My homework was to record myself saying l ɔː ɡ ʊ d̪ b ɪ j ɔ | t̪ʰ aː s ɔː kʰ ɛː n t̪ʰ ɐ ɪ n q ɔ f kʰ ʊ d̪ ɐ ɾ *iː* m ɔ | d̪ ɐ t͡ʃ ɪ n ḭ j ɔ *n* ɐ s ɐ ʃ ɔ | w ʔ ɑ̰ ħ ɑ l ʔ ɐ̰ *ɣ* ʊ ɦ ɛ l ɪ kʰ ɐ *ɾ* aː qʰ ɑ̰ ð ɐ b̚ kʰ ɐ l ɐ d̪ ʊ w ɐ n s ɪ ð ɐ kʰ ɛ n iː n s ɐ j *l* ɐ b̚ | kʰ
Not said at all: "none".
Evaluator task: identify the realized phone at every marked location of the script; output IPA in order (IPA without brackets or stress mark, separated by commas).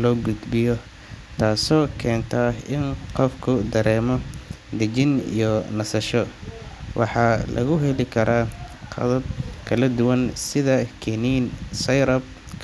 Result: ɛː, n, ɣ, ɾ, ɾ